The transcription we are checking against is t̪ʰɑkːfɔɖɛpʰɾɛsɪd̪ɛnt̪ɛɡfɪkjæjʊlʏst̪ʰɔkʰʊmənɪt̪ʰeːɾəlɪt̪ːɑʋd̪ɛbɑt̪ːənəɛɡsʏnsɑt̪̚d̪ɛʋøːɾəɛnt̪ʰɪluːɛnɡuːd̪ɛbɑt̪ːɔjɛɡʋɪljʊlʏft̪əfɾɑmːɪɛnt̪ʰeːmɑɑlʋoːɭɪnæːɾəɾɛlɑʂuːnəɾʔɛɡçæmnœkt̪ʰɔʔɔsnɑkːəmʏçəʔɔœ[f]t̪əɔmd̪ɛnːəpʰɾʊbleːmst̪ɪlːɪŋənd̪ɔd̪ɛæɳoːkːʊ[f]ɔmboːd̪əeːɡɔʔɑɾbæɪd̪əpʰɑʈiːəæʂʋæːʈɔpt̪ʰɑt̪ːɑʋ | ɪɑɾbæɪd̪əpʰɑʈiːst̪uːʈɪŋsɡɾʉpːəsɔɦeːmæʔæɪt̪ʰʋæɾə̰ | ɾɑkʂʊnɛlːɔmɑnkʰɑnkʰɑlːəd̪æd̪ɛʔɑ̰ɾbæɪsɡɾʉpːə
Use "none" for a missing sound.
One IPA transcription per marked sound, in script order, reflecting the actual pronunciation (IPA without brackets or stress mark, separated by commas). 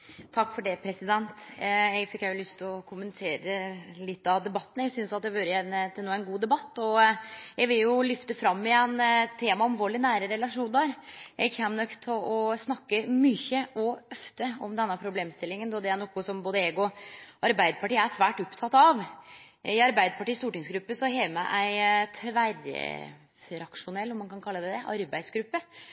f, s